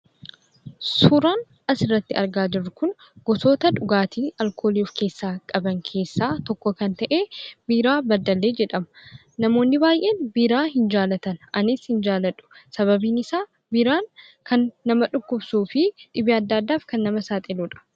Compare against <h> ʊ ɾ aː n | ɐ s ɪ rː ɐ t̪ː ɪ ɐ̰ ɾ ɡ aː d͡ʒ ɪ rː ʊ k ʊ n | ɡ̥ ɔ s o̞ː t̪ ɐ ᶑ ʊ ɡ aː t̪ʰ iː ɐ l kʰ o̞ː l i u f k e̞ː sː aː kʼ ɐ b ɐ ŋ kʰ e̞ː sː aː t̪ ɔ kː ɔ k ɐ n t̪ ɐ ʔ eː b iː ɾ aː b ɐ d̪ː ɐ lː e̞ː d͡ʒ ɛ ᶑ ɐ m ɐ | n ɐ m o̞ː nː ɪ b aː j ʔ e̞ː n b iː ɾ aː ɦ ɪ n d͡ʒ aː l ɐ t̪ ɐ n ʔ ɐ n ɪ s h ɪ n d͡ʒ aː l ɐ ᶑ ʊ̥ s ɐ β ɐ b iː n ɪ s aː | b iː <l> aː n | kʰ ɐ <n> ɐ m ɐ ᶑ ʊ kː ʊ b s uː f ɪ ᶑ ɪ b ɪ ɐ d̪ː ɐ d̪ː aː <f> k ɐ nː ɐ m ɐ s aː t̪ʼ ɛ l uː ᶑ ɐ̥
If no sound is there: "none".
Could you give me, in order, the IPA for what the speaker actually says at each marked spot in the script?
s, ɾ, nː, f

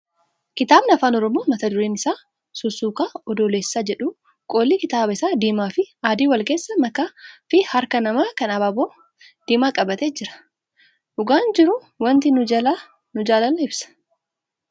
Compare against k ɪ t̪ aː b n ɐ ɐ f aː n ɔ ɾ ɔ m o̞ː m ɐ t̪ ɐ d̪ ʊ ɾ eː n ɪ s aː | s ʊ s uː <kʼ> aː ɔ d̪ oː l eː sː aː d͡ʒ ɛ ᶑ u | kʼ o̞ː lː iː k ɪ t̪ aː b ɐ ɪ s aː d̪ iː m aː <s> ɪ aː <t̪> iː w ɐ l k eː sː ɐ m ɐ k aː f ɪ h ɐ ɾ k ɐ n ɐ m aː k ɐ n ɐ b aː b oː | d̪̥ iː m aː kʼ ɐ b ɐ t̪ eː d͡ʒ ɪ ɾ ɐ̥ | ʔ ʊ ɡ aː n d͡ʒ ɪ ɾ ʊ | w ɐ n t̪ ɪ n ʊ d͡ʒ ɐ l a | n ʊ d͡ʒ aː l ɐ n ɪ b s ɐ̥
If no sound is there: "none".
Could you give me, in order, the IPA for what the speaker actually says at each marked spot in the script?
k, f, d̪

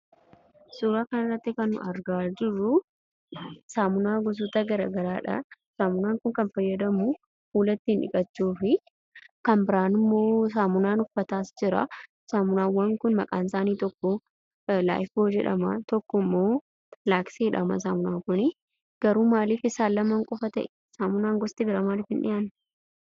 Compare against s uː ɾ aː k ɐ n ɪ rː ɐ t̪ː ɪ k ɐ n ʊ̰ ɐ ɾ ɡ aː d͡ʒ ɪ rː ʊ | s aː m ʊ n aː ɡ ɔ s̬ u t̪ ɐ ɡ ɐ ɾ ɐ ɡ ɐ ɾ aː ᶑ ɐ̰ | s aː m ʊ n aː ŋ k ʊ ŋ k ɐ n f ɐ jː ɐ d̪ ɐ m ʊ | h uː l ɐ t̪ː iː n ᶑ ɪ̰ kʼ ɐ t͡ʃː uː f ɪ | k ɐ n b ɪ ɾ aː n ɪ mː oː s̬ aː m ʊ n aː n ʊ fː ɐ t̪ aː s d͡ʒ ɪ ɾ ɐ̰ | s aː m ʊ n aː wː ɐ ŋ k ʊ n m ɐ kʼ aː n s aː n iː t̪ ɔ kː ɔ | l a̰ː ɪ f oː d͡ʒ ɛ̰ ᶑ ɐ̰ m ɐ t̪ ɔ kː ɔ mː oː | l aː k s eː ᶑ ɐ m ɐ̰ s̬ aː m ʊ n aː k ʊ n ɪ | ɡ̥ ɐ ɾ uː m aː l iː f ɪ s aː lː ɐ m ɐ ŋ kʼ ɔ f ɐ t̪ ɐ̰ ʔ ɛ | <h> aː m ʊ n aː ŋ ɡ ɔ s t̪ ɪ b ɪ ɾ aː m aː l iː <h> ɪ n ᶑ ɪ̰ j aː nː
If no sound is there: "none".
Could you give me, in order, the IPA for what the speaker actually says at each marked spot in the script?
s, f

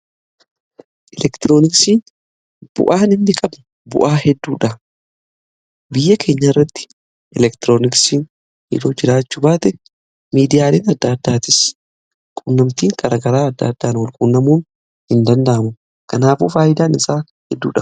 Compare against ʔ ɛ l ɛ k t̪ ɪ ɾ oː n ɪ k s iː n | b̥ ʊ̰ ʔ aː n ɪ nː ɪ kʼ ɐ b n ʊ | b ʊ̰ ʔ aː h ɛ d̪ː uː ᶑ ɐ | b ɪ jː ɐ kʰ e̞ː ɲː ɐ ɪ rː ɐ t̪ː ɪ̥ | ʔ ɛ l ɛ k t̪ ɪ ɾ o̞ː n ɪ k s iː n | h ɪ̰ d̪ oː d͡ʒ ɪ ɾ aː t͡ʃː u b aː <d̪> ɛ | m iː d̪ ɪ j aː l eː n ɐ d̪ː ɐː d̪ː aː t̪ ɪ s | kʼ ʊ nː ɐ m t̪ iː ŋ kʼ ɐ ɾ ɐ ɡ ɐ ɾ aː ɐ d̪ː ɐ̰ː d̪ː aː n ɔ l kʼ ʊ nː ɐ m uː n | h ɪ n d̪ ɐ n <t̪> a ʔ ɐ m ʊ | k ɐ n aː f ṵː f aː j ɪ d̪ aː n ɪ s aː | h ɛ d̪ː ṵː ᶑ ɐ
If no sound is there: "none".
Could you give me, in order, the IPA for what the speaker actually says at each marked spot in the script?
t̪, d̪

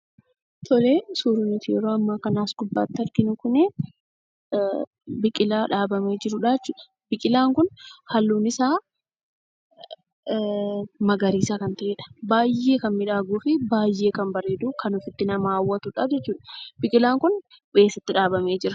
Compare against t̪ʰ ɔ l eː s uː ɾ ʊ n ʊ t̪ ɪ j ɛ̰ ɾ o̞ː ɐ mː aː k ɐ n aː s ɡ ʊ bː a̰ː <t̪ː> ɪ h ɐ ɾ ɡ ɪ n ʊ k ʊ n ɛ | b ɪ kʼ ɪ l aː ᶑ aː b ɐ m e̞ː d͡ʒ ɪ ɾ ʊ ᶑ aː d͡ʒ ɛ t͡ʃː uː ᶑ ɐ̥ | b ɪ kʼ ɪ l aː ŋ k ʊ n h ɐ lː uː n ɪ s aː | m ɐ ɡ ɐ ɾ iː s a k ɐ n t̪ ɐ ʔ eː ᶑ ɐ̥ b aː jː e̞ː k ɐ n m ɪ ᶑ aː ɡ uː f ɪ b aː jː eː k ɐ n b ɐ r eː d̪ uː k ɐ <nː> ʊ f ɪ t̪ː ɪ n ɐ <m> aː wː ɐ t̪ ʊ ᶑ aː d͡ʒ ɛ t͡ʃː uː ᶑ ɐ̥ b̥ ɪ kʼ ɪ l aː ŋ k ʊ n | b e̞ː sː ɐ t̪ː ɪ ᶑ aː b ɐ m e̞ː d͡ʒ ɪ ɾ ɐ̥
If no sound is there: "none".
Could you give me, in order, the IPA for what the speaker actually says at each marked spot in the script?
t̪ː, n, m

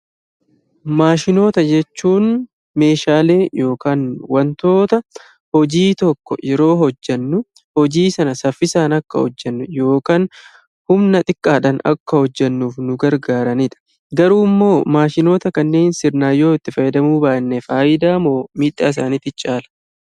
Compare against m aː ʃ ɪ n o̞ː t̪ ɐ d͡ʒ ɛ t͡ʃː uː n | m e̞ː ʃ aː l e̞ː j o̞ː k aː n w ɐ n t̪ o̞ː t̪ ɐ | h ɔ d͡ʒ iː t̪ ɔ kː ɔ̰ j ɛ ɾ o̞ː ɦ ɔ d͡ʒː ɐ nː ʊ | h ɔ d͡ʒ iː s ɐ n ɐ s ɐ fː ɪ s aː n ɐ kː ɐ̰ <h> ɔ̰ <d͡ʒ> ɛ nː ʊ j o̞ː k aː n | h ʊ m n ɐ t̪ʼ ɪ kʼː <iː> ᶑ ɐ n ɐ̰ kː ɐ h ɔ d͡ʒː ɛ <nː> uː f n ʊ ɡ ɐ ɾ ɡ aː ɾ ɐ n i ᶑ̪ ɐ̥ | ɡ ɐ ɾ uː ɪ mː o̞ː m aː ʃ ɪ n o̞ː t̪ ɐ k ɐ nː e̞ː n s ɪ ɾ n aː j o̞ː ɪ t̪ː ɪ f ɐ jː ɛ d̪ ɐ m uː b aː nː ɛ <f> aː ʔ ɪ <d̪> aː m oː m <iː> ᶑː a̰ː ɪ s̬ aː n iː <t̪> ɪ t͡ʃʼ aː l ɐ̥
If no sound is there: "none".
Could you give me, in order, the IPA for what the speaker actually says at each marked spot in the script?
h, d͡ʒː, aː, nː, f, d̪, iː, t̪

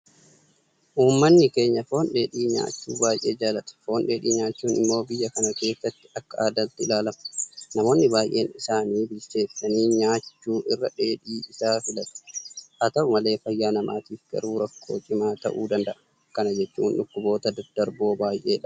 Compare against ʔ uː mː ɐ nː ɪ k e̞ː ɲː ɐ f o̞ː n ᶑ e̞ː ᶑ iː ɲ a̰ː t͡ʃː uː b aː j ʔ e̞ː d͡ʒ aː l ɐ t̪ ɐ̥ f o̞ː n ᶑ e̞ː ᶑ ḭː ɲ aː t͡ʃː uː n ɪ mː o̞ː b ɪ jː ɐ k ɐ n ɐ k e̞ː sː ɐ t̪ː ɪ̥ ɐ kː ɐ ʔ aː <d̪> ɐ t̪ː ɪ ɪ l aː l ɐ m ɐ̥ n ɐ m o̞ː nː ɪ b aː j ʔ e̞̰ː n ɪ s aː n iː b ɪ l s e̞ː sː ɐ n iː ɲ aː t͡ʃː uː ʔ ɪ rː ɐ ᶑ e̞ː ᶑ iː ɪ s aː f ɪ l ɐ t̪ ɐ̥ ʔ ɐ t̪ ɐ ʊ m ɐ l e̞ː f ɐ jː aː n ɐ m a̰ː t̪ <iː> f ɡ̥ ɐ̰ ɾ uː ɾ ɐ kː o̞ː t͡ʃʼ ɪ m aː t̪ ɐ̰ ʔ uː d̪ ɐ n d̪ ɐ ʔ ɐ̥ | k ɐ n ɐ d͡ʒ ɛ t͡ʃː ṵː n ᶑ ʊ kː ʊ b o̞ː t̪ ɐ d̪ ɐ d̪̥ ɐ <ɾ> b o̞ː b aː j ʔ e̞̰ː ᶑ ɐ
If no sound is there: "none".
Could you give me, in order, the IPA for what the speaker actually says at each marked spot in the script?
d̪, iː, ɾ

